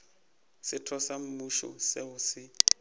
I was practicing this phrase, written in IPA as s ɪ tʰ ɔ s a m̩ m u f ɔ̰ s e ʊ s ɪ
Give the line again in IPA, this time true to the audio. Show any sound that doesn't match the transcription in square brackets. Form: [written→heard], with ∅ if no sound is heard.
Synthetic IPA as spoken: s ɪ tʰ ɔ s a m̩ m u [f→ʃ] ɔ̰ s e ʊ s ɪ